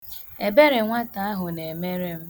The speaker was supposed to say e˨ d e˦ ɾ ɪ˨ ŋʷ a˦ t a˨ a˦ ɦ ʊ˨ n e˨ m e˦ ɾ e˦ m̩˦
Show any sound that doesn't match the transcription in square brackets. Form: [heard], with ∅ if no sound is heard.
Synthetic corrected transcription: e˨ [b] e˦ ɾ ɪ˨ ŋʷ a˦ t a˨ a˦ ɦ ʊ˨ n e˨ m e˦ ɾ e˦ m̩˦